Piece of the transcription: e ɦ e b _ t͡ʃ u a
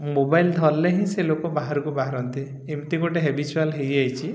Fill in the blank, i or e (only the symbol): i